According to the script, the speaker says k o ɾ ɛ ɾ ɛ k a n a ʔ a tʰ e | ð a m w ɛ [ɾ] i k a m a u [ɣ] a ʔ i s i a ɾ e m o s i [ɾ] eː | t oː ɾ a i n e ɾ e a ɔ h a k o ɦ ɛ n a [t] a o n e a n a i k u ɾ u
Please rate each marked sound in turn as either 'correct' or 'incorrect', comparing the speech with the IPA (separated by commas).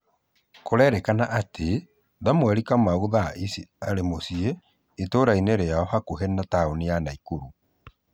correct, incorrect, incorrect, correct